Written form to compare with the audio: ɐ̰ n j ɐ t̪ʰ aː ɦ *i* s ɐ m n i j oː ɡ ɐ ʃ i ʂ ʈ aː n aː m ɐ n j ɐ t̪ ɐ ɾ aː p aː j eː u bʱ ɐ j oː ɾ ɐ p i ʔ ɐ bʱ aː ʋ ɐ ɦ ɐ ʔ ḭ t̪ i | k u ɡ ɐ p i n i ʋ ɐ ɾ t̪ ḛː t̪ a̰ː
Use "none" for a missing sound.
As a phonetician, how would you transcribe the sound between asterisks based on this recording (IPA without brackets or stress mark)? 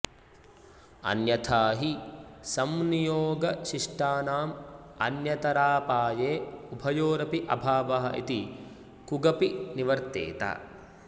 i